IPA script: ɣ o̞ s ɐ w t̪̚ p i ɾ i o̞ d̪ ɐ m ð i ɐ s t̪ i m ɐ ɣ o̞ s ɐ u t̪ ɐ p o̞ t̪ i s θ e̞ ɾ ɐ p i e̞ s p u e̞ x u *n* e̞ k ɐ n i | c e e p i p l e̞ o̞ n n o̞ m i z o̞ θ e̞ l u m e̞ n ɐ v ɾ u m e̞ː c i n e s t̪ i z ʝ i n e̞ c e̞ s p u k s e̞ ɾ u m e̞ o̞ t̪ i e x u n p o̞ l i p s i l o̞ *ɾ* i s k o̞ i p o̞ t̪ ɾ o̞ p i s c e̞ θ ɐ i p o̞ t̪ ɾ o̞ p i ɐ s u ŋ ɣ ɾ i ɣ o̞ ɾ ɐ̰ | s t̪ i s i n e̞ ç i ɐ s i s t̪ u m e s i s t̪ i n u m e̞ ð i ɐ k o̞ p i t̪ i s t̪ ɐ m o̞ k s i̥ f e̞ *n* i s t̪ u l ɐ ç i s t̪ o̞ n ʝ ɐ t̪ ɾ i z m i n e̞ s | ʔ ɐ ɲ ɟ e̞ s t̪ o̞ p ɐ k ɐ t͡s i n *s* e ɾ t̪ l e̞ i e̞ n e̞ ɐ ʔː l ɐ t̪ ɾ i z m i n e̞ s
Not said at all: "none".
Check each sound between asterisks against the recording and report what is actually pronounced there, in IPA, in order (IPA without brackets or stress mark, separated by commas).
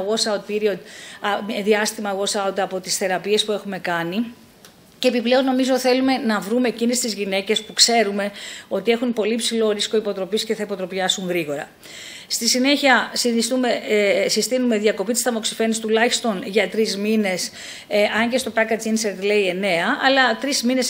m, ɾ, n, s